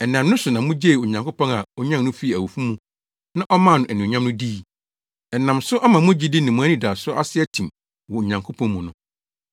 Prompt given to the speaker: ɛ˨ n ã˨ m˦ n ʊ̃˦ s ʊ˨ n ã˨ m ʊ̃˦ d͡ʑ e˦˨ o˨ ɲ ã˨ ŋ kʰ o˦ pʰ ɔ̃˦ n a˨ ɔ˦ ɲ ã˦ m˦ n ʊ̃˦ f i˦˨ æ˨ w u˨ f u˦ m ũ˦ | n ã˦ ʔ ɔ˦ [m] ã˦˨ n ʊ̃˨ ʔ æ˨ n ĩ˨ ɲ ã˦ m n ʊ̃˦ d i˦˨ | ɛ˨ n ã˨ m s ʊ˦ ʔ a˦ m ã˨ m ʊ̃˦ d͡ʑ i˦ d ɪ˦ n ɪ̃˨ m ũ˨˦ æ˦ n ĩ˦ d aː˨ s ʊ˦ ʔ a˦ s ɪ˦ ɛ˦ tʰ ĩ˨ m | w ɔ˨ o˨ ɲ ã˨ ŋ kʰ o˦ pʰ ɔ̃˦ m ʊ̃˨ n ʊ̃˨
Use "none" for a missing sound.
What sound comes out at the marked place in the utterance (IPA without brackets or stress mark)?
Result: m